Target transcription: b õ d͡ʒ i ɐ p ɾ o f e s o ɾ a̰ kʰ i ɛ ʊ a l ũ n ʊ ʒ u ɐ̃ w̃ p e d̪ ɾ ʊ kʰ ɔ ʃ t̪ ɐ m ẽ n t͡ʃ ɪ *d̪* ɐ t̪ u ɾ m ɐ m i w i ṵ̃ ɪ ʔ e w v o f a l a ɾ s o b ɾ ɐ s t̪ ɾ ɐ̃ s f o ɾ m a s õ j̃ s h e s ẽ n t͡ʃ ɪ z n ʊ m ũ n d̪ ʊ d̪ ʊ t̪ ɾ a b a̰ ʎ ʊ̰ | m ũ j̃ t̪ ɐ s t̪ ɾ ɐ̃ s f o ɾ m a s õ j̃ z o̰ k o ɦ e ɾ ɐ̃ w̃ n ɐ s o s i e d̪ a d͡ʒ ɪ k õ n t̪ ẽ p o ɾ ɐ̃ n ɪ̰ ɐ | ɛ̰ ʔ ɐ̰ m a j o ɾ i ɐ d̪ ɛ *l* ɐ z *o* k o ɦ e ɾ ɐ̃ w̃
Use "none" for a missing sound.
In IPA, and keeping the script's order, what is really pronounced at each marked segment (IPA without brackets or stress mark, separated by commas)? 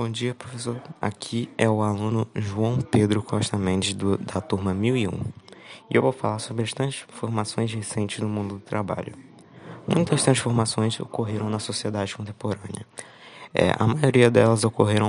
d̪, l, o